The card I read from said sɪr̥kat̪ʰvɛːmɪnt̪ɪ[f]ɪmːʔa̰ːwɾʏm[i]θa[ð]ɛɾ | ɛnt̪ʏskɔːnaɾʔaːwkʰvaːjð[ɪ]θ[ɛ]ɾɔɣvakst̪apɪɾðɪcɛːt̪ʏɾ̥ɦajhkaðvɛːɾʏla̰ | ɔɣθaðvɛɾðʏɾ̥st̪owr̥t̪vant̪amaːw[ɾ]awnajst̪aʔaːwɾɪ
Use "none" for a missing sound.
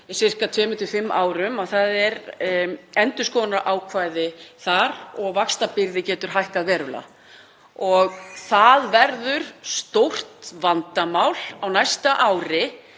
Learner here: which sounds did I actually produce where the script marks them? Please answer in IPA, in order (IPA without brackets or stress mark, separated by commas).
f, a, ð, ɪ, a, l